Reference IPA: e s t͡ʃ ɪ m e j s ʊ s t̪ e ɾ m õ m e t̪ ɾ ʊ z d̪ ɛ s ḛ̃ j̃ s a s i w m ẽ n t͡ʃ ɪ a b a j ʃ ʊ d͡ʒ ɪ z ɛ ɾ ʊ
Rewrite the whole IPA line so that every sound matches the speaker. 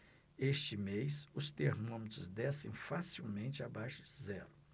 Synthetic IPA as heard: e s t͡ʃ ɪ m e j s ʊ s t̪ e ɾ m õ m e t̪ ɾ ʊ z d̪ ɛ s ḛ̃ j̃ f a s i w m ẽ n t͡ʃ ɪ a b a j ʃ ʊ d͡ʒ ɪ z ɛ ɾ ʊ